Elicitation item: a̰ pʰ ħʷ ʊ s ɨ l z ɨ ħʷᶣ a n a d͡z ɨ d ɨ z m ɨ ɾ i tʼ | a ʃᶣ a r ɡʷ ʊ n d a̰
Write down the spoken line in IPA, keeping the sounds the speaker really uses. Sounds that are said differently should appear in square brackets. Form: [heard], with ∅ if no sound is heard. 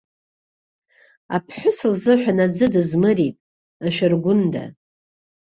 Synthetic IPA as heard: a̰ pʰ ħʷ ʊ s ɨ l z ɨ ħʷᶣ a n a d͡z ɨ d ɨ z m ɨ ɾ i tʼ | a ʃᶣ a r ɡʷ ʊ n d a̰